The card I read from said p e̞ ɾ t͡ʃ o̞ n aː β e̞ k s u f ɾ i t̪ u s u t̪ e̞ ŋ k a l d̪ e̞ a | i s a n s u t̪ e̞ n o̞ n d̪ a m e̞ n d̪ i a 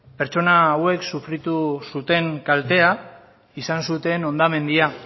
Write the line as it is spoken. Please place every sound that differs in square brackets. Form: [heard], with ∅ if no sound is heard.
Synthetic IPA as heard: p e̞ ɾ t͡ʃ o̞ n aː [w] e̞ k s u f ɾ i t̪ u s u t̪ e̞ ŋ k a l [t̪] e̞ a | i s a n s u t̪ e̞ n o̞ n d̪ a m e̞ n d̪ i a